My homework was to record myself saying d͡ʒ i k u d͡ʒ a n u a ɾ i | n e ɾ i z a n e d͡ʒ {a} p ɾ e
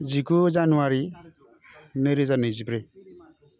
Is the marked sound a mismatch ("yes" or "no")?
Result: yes